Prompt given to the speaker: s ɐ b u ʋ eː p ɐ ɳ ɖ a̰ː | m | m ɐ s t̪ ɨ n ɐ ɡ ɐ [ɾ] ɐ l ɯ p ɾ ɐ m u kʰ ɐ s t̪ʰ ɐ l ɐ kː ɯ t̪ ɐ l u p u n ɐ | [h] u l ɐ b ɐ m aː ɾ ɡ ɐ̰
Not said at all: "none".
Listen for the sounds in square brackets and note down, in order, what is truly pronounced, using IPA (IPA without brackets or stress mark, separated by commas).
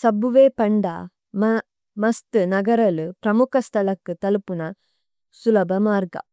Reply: ɾ, s